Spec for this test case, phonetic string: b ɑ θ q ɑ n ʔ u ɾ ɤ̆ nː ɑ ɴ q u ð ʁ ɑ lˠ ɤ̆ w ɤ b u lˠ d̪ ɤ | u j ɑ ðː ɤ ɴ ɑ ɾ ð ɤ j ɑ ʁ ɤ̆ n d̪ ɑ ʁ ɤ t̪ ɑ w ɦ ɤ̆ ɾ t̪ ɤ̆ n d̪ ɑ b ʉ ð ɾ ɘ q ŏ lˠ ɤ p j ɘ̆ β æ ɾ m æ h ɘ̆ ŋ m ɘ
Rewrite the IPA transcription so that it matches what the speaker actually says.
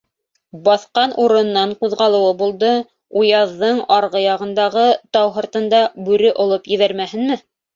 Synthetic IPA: b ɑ θ q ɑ n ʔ u ɾ ɤ̆ nː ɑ ɴ q u ð ʁ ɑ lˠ ɤ̆ w ɤ b u lˠ d̪ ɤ | u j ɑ ðː ɤ ɴ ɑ ɾ ʁ ɤ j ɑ ʁ ɤ̆ n d̪ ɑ ʁ ɤ t̪ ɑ w ɦ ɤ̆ ɾ t̪ ɤ̆ n d̪ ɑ b ʉ ɾ ɘ ʔ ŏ lˠ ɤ p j ɘ̆ β æ ɾ m æ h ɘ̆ n m ɘ